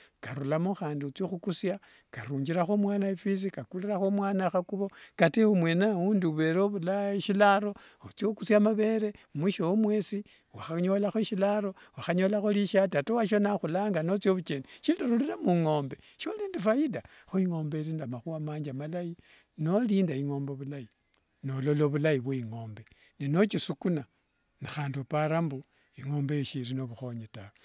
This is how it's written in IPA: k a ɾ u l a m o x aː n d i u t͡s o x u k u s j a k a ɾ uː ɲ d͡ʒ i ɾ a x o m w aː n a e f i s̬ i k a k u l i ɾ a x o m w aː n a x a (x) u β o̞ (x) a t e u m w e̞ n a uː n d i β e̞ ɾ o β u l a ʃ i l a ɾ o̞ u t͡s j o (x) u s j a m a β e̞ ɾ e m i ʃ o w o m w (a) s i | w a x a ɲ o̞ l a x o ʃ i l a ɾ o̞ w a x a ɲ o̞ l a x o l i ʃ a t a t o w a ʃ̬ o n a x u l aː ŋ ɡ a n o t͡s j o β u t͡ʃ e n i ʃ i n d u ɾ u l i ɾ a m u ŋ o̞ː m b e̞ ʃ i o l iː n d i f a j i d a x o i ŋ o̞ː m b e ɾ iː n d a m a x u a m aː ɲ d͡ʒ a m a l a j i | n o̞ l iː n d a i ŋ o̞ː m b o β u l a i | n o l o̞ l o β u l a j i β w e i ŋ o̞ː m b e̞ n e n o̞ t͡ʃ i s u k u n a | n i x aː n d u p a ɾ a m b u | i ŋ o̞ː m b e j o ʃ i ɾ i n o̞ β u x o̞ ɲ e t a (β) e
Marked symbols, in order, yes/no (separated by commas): no, no, no, no, no